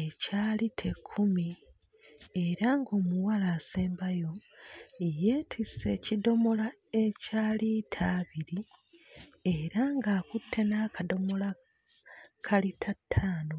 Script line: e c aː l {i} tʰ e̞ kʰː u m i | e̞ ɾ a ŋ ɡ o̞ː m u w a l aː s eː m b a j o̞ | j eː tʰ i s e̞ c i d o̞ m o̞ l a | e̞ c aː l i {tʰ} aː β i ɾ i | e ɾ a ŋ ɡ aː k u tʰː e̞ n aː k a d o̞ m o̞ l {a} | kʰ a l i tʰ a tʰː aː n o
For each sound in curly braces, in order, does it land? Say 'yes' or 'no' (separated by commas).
yes, yes, yes